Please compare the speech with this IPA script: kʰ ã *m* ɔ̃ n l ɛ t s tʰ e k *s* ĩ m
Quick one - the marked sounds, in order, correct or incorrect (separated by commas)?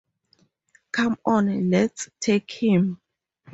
correct, incorrect